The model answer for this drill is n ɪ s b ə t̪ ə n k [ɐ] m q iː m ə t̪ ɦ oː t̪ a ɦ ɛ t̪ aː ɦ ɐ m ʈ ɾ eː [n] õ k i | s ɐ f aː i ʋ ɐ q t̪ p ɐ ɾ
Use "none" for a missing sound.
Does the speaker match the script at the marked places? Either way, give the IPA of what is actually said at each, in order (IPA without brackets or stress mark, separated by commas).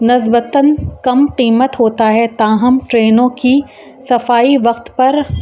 ɐ, n